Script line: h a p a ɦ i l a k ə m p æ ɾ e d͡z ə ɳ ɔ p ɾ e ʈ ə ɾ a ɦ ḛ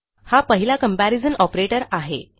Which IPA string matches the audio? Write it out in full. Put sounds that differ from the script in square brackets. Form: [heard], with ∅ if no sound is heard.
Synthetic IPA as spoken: h a p [ə] ɦ i l a k ə m p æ ɾ [i] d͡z ə [n] ɔ p ɾ e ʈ ə ɾ a ɦ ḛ

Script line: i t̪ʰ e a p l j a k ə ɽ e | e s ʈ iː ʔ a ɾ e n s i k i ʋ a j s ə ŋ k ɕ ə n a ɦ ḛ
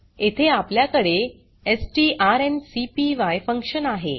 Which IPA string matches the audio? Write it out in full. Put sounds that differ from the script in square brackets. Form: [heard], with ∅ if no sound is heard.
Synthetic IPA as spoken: [e] t̪ʰ e a p l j a k ə ɽ e | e s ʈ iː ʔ a ɾ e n s i [p] i ʋ a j [f] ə ŋ k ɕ ə n a ɦ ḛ

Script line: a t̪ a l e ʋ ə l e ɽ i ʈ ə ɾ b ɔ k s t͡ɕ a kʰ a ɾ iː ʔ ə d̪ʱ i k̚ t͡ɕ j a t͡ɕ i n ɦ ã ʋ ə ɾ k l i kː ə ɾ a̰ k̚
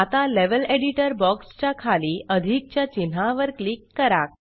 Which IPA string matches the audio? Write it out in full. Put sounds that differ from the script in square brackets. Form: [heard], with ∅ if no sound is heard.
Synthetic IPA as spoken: a t̪ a l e ʋ ə l e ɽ i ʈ ə ɾ b ɔ k s t͡ɕ a kʰ a [l] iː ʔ ə d̪ʱ i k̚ t͡ɕ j a t͡ɕ i n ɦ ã ʋ ə ɾ k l i kː ə ɾ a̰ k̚

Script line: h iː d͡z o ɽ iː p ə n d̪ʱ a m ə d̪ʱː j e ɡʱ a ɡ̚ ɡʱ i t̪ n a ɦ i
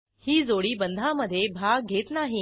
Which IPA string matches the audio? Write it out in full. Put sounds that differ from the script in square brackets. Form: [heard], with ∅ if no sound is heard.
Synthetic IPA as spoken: h iː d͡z o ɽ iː [b] ə n d̪ʱ a m ə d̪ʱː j e [bʱ] a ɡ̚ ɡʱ [e] t̪ n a ɦ i

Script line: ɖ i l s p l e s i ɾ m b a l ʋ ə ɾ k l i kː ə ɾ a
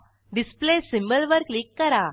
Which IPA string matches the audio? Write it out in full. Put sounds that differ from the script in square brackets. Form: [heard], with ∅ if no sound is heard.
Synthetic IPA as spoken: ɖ i [∅] s p l e s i [∅] m b [ə] l ʋ ə ɾ k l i kː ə ɾ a

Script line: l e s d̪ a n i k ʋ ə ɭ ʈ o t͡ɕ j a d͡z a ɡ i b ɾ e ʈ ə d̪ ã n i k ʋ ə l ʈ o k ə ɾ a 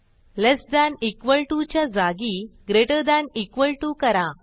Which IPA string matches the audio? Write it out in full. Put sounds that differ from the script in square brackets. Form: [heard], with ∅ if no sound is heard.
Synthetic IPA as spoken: l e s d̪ a n i k ʋ ə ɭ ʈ [u] t͡ɕ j a d͡z a ɡ i [ɡ] ɾ e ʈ ə d̪ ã n i k ʋ ə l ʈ [u] k ə ɾ a

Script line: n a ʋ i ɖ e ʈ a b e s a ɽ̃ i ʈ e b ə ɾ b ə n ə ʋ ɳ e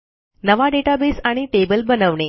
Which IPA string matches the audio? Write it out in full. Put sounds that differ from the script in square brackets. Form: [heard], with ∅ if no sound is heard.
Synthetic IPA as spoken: n [ə] ʋ [a] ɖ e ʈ a b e s a ɽ̃ i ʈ e b ə [l] b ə n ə ʋ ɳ e

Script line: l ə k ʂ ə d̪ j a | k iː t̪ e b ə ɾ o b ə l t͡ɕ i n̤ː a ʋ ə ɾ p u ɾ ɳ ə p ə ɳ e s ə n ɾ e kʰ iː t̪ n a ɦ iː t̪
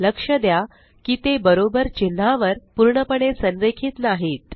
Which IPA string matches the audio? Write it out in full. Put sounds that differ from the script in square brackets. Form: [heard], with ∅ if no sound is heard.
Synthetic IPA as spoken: l ə k ʂ ə d̪ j a | k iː t̪ e b ə ɾ o b ə [ɾ] t͡ɕ i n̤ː a ʋ ə ɾ p u ɾ ɳ ə p ə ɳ e s ə n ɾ e kʰ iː t̪ n a ɦ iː t̪

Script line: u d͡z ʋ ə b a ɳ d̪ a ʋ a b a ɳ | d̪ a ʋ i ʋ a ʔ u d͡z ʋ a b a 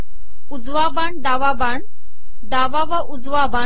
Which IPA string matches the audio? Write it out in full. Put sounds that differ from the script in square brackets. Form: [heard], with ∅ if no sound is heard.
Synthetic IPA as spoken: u d͡z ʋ [a] b a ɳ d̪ a ʋ a b a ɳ | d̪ a ʋ [a] ʋ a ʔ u d͡z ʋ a b a

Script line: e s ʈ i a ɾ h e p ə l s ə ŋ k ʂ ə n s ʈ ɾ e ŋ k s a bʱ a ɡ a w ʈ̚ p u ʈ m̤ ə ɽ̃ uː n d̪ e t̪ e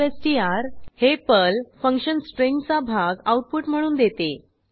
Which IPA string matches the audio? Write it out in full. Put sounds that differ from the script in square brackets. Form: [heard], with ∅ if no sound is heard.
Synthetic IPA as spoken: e s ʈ i a ɾ h e p ə l [f] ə ŋ k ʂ ə n s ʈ ɾ e ŋ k [t͡s] a bʱ a ɡ a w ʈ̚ p u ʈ m̤ ə ɽ̃ uː n d̪ e t̪ e

